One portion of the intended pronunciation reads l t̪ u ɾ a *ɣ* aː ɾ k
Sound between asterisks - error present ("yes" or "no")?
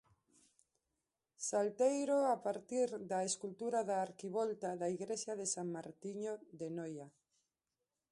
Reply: yes